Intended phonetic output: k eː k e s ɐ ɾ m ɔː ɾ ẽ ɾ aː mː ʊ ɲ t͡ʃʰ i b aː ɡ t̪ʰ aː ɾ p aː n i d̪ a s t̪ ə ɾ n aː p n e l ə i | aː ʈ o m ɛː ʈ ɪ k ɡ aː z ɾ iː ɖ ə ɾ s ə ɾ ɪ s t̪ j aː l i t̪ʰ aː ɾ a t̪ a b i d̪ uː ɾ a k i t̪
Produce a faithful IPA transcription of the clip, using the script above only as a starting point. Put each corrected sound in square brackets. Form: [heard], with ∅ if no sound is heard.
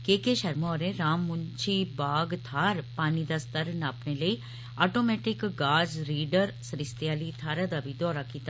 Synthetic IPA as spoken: k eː k e [ʃ] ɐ ɾ m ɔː ɾ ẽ ɾ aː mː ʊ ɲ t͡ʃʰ i b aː ɡ t̪ʰ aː ɾ p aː n i d̪ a s t̪ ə ɾ n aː p n e l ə i | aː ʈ o m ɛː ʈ ɪ k ɡ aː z ɾ iː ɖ ə ɾ s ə ɾ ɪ s t̪ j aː l i t̪ʰ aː ɾ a [d̪] a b i d̪ [ɔː] ɾ a k i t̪